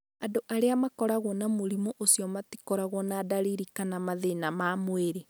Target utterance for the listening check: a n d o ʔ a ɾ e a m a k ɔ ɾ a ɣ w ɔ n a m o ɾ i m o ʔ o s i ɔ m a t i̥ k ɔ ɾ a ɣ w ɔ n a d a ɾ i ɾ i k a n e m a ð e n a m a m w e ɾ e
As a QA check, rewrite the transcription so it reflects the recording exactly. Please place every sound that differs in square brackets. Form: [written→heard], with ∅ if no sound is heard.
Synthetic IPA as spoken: a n d o ʔ a ɾ e a m a k ɔ ɾ a ɣ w ɔ n a m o ɾ i m o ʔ o s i ɔ m a t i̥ k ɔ ɾ a ɣ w ɔ n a d a ɾ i ɾ i k a n [e→a] m a ð e n a m a m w e ɾ e